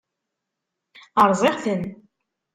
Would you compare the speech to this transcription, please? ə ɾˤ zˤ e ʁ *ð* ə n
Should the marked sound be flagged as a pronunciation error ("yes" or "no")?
yes